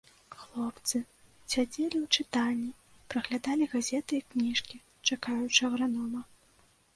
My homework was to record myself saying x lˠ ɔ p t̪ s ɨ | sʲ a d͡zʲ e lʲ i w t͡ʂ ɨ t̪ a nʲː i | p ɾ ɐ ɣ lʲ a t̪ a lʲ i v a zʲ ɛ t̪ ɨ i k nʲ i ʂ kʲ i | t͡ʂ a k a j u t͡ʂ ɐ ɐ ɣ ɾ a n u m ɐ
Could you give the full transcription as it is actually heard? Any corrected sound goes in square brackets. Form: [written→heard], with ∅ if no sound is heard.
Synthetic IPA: x lˠ ɔ p t̪ s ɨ | sʲ a d͡zʲ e lʲ i w t͡ʂ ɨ t̪ a nʲː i | p ɾ ɐ ɣ lʲ a [t̪→d̪] a lʲ i [v→ɣ] a zʲ ɛ t̪ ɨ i k nʲ i ʂ kʲ i | t͡ʂ a k a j u t͡ʂ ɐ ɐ ɣ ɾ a n [u→ɔ] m ɐ